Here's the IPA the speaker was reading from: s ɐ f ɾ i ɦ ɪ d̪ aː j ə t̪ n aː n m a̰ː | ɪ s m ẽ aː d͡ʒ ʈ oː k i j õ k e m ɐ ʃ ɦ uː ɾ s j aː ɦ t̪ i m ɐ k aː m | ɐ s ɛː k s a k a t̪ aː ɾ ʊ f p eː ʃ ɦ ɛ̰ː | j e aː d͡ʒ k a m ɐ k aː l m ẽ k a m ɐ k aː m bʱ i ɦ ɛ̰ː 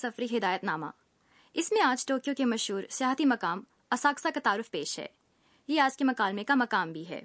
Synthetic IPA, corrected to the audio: s ɐ f ɾ i ɦ ɪ d̪ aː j ə t̪ n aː m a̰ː | ɪ s m ẽ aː d͡ʒ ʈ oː k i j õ k e m ɐ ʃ ɦ uː ɾ s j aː ɦ t̪ i m ɐ k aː m | ɐ s aː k s a k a t̪ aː ɾ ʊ f p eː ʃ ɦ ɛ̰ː | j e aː d͡ʒ k e m ɐ k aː l m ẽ k a m ɐ k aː m bʱ i ɦ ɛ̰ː